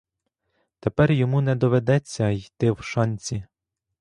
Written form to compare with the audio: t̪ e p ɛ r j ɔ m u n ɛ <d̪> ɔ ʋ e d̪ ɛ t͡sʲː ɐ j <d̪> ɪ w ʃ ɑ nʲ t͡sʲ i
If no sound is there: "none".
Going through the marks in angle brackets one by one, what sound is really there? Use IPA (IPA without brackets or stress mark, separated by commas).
d̪, t̪